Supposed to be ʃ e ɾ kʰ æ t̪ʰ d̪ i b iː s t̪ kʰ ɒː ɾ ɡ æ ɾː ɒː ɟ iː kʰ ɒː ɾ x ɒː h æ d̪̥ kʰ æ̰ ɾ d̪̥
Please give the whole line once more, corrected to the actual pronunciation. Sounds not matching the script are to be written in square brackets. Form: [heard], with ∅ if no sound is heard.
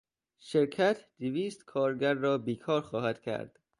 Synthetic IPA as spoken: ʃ e ɾ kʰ æ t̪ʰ d̪ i [v] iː s t̪ kʰ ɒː ɾ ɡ æ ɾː ɒː [b] iː kʰ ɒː ɾ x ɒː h æ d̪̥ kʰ æ̰ ɾ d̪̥